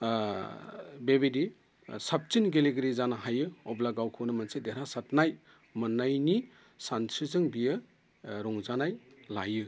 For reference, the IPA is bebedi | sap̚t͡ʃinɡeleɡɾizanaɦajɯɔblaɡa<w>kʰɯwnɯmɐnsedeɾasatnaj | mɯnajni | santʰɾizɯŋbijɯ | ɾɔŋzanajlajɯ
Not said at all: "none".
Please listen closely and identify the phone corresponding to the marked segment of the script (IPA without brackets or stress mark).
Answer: w